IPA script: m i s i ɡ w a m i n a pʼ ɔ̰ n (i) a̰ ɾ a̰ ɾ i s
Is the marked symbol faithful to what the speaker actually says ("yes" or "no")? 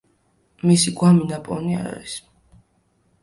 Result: yes